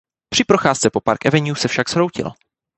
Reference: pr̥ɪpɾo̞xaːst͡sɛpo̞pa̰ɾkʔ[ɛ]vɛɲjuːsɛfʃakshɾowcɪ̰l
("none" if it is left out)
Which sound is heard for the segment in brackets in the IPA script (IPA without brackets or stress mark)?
ɛ